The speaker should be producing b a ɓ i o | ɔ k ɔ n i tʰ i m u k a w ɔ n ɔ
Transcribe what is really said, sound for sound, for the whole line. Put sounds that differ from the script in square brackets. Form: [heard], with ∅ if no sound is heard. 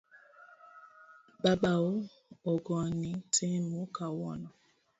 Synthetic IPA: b a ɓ [a] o | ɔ [ɡ] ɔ n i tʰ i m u k a w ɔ n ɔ